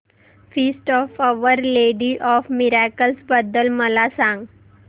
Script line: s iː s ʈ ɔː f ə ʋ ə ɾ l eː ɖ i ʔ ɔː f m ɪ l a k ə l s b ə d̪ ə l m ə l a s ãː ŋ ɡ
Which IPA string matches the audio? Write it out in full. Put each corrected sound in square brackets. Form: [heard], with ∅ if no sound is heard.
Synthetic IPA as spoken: [f] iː s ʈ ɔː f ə ʋ ə ɾ l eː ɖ i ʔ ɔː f m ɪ [ɾ] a k ə l s b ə d̪ ə l m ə l a s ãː ŋ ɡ